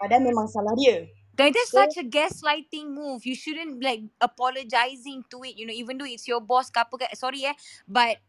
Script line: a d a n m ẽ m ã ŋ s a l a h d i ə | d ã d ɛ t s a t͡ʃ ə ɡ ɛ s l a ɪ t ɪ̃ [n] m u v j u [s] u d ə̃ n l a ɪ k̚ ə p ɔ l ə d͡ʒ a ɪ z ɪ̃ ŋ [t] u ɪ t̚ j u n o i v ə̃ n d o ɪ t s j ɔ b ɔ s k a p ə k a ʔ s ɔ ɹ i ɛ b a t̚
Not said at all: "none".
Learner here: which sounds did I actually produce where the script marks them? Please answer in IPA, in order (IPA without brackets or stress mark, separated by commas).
ŋ, ʃ, t